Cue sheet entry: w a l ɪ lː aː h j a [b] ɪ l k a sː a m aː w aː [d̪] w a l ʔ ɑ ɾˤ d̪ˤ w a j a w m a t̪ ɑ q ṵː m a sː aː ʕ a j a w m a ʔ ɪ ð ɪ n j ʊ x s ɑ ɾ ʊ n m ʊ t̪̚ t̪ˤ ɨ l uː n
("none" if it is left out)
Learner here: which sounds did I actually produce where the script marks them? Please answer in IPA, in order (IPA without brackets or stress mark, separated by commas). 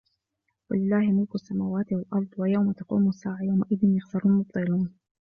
m, t̪